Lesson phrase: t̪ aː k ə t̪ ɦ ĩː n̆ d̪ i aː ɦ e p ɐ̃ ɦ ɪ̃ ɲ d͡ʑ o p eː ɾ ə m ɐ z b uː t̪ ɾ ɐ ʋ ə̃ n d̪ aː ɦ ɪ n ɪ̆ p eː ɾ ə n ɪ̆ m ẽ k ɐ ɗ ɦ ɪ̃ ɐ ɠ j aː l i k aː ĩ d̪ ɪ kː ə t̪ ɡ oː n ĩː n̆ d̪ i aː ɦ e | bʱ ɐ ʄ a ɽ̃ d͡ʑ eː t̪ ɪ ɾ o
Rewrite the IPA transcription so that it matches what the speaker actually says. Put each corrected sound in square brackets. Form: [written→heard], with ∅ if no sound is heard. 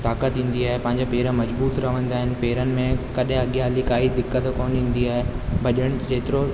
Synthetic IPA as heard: t̪ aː k ə t̪ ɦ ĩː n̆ d̪ i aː ɦ e p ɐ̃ ɦ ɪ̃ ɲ d͡ʑ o p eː ɾ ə m ɐ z b uː t̪ ɾ ɐ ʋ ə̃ n d̪ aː ɦ ɪ n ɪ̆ p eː ɾ ə n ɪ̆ m ẽ k ɐ ɗ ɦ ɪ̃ ɐ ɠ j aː l i k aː [ĩ→i] d̪ ɪ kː ə t̪ [ɡ→k] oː n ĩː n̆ d̪ i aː ɦ e | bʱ ɐ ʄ [a→ə] ɽ̃ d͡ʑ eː t̪ ɪ ɾ o